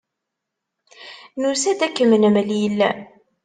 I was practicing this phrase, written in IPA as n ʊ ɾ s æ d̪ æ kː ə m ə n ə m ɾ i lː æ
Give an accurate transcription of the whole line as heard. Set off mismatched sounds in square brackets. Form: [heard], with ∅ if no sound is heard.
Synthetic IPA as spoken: n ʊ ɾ s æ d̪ æ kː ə m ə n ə m [l] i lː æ

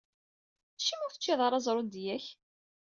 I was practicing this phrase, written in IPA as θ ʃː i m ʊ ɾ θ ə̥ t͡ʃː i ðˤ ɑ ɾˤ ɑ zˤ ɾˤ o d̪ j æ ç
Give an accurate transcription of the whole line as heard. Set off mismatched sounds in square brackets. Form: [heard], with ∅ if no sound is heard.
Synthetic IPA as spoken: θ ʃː i m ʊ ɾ θ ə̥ t͡ʃː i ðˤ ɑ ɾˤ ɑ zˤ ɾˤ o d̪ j æ ç

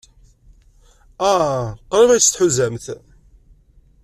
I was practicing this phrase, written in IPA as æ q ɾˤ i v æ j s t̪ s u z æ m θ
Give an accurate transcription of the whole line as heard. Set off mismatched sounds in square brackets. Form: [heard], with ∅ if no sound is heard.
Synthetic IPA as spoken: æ q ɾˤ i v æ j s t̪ [ħ] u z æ m θ

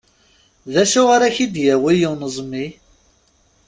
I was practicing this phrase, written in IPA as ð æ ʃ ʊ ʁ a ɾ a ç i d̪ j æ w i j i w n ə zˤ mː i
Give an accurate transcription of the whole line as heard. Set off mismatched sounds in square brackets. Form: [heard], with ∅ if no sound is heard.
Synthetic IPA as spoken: ð æ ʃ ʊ ʁ a ɾ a ç i d̪ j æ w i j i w n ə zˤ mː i

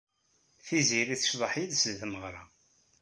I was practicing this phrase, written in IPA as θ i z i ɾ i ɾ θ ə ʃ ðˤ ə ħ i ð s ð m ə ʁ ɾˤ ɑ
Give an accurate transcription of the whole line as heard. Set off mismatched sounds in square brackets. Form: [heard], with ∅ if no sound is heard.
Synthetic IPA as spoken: θ i z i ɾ i [∅] θ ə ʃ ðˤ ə ħ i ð s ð m ə ʁ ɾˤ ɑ

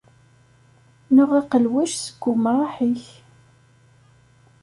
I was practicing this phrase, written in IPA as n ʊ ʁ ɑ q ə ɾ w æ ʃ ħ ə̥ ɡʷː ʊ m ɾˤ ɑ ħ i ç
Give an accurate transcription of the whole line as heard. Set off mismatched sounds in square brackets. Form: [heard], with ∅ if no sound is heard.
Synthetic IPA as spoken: n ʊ ʁ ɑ q ə [l] w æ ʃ [s] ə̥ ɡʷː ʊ m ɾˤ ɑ ħ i ç

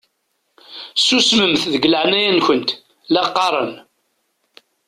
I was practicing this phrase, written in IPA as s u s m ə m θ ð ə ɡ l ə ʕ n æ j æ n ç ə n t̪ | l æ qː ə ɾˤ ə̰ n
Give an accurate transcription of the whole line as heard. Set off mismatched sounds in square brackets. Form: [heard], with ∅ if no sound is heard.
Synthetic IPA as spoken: s u s m ə m θ ð ə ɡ l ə ʕ n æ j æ n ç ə n t̪ | l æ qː [ɑ] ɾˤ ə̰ n

